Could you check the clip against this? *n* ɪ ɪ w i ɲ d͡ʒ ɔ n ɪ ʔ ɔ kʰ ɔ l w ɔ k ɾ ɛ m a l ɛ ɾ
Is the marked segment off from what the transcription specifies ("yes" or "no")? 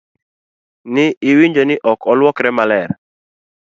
no